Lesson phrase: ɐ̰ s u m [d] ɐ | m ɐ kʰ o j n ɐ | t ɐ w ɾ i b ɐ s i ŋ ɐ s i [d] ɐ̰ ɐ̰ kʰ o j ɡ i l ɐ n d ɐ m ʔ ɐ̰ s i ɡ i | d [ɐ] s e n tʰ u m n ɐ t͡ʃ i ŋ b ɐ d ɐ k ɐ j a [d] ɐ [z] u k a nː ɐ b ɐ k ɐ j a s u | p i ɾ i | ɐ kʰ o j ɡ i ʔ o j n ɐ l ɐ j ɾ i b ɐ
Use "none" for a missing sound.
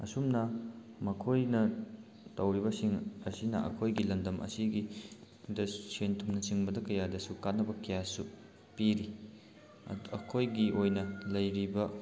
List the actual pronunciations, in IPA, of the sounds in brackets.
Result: n, n, ɐ, d, s

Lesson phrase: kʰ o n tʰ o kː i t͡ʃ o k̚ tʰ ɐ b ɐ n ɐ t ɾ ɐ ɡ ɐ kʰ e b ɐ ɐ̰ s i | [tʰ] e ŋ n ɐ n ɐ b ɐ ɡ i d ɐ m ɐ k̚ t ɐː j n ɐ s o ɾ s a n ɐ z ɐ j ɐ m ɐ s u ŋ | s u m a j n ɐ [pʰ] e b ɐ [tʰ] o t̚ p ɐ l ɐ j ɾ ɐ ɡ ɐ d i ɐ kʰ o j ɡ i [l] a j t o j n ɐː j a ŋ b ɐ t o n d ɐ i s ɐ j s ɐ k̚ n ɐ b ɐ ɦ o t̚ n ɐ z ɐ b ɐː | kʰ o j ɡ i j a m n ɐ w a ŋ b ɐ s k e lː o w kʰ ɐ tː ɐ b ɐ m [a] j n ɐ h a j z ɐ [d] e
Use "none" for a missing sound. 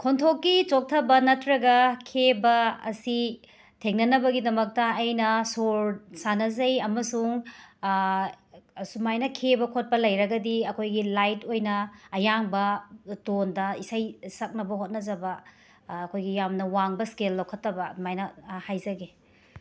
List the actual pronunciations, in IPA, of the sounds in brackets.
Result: tʰ, kʰ, kʰ, l, a, ɡ

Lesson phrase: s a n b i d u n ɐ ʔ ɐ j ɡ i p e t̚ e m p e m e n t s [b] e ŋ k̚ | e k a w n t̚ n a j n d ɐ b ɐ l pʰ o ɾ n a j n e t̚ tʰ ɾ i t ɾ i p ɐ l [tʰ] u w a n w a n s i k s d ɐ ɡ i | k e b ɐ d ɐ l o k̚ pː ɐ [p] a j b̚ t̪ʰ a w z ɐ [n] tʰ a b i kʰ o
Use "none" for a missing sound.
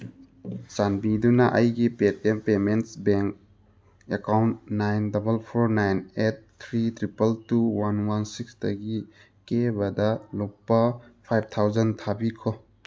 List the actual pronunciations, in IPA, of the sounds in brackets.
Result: b, t, pʰ, n

